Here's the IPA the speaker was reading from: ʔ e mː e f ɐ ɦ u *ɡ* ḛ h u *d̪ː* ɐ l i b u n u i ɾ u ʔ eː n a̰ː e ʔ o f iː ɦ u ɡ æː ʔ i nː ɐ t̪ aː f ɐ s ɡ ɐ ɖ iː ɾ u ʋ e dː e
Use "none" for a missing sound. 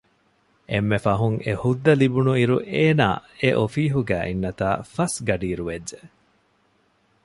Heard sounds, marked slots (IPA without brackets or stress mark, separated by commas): ŋ, d̪ː